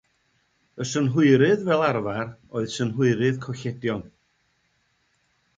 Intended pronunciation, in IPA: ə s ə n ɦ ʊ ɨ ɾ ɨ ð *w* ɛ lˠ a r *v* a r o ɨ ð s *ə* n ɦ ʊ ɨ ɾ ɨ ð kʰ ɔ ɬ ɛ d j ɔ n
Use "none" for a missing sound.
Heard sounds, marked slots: v, v, ə

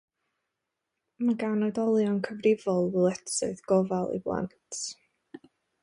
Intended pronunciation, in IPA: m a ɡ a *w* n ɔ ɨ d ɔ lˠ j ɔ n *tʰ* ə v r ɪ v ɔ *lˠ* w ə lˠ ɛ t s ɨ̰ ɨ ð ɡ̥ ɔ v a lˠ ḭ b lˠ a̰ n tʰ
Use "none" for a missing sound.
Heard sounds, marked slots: w, kʰ, lˠ

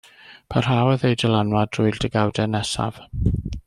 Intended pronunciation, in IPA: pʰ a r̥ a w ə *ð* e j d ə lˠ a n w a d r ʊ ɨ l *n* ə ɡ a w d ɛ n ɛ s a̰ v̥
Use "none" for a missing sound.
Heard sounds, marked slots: ð, d

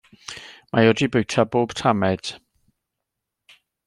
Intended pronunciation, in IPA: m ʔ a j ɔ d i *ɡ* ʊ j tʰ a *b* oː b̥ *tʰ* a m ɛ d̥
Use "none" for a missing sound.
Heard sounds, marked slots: b, b, tʰ

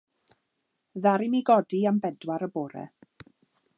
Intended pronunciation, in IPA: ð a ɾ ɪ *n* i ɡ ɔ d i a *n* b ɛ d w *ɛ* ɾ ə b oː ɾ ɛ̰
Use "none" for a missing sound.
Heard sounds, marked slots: m, m, a

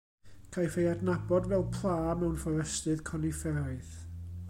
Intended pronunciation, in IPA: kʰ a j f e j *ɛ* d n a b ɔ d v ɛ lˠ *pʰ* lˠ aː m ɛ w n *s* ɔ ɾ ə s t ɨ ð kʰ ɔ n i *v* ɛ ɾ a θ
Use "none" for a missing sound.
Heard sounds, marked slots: a, pʰ, f, f

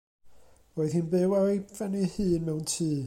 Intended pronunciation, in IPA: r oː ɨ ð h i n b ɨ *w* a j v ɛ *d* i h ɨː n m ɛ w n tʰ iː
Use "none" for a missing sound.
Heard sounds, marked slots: w, n

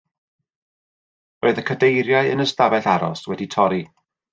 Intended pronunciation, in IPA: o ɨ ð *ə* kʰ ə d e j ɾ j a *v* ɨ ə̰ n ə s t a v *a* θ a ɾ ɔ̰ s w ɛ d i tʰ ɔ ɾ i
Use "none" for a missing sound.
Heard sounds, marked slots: ə, none, ɛ

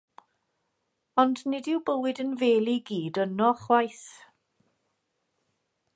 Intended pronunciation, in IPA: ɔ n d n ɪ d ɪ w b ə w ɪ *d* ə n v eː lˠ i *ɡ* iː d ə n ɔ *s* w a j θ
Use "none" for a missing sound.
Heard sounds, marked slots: d, ɡ, χ

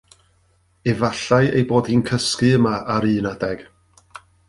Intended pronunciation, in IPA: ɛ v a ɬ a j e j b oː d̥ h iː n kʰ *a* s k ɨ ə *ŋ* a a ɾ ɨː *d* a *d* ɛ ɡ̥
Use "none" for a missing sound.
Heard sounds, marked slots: ə, m, n, d

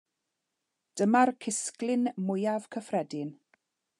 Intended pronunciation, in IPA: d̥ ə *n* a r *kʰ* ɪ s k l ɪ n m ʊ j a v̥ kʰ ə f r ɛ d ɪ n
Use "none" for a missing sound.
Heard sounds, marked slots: m, kʰ

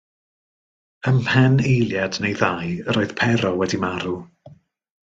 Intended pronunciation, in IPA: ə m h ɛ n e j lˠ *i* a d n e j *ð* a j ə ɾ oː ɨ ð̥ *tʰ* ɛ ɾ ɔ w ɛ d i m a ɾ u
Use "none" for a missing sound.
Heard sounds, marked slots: j, ð, pʰ

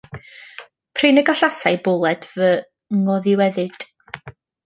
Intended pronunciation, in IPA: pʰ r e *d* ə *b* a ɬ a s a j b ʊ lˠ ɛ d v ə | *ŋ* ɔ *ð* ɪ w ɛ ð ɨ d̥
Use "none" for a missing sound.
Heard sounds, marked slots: n, ɡ, ŋ, ð

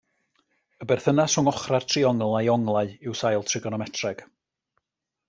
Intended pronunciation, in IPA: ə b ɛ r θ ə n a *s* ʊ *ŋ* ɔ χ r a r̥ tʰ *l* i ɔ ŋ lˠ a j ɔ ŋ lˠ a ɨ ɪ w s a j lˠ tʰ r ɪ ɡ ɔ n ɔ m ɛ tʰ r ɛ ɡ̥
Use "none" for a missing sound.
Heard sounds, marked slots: s, ŋ, r

